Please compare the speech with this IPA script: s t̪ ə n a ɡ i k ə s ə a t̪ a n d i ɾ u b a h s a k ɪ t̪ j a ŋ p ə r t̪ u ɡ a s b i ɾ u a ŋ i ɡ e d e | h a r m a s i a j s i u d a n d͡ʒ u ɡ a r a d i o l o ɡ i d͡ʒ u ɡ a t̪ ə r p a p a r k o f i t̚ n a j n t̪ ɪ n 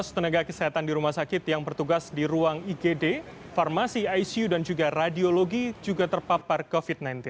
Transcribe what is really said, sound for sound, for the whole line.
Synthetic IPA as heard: s t̪ ə n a ɡ a k ə s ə a t̪ a n d i ɾ u m a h s a k ɪ t̪ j a ŋ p ə r t̪ u ɡ a s d i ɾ u a ŋ i ɡ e d e | f a r m a s i a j s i u d a n d͡ʒ u ɡ a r a d i o l o ɡ i d͡ʒ u ɡ a t̪ ə r p a p a r k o f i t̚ n a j n t̪ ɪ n